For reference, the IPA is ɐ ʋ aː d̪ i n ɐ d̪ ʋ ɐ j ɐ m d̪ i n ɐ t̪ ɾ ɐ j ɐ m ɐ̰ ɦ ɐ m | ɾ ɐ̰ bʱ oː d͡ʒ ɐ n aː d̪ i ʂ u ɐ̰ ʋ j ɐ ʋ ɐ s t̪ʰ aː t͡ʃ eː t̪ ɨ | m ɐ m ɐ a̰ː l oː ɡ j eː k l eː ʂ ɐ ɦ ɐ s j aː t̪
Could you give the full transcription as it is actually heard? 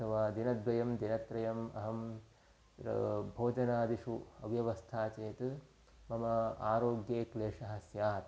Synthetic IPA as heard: ɐ ʋ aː d̪ i n ɐ d̪ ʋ ɐ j ɐ m d̪ i n ɐ t̪ ɾ ɐ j ɐ m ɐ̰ ɦ ɐ m | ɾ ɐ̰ bʱ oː d͡ʒ ɐ n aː d̪ i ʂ u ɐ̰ ʋ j ɐ ʋ ɐ s t̪ʰ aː t͡ʃ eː t̪ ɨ | m ɐ m ɐ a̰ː ɾ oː ɡ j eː k l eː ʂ ɐ ɦ ɐ s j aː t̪